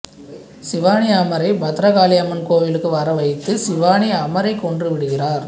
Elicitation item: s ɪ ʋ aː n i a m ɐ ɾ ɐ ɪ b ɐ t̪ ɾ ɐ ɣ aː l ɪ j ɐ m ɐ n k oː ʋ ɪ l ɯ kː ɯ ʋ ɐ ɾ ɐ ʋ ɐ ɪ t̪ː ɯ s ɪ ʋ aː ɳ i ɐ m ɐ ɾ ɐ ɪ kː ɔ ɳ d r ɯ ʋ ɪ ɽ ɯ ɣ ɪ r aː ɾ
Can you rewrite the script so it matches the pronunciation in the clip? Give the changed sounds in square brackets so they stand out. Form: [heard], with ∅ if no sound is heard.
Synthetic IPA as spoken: s ɪ ʋ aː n i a m ɐ ɾ ɐ ɪ b ɐ t̪ ɾ ɐ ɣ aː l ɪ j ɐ m ɐ n k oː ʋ ɪ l ɯ kː ɯ ʋ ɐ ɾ ɐ ʋ ɐ ɪ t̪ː ɯ s ɪ ʋ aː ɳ i ɐ m ɐ ɾ ɐ ɪ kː ɔ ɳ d r ɯ ʋ ɪ ɽ ɯ ɣ ɪ r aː ɾ